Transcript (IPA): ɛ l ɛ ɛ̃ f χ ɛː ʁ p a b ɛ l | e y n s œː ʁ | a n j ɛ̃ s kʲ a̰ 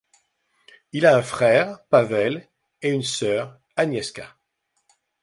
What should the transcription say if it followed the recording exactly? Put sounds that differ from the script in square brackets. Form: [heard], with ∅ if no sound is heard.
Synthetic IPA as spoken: [i] l [a] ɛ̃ f χ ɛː ʁ p a [v] ɛ l | e y n s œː ʁ | a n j [ɛ] s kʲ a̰